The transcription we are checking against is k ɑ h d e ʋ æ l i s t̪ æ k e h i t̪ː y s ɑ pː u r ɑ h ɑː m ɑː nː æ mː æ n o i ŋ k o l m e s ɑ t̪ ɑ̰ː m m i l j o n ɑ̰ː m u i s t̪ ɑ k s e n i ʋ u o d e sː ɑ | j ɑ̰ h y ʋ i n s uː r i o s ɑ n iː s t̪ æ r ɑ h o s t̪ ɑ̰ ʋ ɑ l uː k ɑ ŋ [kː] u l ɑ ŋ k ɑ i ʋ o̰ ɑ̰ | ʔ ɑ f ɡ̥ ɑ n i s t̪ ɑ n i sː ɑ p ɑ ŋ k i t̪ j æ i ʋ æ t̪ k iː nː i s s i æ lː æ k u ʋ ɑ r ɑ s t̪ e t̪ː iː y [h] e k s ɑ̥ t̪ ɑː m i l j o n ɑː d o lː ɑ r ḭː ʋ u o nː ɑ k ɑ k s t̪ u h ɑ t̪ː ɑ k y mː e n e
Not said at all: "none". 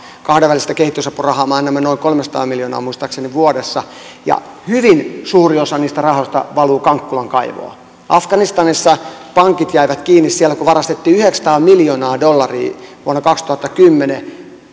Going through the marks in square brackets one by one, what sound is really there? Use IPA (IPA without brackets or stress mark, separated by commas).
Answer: kː, h